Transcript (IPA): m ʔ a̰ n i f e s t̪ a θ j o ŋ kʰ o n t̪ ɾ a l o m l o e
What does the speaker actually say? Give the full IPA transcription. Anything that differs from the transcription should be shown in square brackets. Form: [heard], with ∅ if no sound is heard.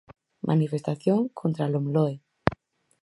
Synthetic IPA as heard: m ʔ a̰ n i f e s t̪ a θ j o ŋ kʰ o n t̪ ɾ a l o m l o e

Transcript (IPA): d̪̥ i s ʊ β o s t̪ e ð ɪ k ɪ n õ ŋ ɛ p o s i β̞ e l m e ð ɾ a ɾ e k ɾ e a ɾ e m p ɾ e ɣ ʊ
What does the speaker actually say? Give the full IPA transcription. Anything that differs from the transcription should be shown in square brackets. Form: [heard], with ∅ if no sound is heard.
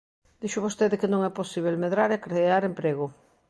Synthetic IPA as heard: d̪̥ i [ʃ] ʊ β o s t̪ e ð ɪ k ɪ n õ ŋ ɛ p o s i β̞ e l m e ð ɾ a ɾ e k ɾ e a ɾ e m p ɾ e ɣ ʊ

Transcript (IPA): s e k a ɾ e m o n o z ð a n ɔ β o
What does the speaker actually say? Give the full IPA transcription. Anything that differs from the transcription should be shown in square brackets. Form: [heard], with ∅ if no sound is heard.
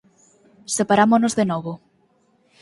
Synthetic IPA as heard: s e [p] a ɾ [a] m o n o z ð [e] n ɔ β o

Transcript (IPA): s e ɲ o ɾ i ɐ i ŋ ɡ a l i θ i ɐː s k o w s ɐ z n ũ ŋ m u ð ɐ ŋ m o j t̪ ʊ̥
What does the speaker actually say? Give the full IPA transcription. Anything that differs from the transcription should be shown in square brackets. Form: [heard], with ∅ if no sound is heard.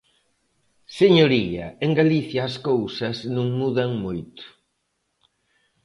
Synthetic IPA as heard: s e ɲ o ɾ i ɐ [e] ŋ ɡ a l i θ [j] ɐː s k o w s ɐ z n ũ ŋ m u ð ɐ ŋ m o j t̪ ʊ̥

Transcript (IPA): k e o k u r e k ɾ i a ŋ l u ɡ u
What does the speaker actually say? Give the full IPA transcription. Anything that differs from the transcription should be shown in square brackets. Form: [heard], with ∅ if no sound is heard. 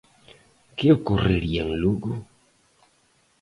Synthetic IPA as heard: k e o k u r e [∅] ɾ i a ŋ l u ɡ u

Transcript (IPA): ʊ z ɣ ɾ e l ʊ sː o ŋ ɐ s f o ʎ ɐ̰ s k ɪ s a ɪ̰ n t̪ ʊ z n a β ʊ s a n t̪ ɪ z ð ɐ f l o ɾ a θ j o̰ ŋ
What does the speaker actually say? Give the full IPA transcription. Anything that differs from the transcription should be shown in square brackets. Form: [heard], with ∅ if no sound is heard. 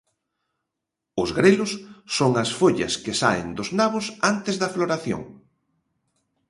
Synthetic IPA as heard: ʊ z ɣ ɾ e l ʊ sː o ŋ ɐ s f o ʎ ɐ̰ s k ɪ s a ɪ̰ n [d̪] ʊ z n a β ʊ s a n t̪ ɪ z ð ɐ f l o ɾ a θ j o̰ ŋ

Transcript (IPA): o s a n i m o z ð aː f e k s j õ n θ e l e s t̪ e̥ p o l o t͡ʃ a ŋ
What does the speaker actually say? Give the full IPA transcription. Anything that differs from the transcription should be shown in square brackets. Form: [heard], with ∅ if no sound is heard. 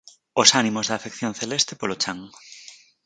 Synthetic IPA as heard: o s a n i m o z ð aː f e k [θ] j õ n θ e l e s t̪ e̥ p o l o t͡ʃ a ŋ

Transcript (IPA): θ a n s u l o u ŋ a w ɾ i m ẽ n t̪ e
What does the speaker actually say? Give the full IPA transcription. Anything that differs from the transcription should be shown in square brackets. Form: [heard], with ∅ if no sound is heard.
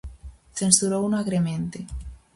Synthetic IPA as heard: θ [e] n s u [ɾ] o u [n] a [ɣ] ɾ [e] m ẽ n t̪ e

